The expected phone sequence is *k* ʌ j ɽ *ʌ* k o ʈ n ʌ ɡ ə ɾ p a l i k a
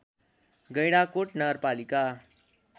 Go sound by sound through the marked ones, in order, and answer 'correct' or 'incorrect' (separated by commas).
incorrect, incorrect